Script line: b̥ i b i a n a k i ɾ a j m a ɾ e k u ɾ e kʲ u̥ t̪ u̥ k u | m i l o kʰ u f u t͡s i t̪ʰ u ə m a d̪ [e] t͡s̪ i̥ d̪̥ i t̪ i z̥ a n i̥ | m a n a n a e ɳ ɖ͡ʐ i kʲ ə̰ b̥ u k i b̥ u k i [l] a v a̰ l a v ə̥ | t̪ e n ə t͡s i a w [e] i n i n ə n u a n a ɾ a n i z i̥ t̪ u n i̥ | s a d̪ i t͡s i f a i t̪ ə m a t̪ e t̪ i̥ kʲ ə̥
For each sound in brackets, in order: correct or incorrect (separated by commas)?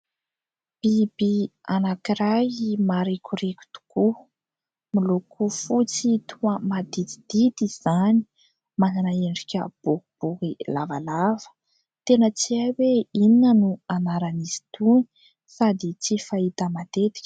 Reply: incorrect, correct, correct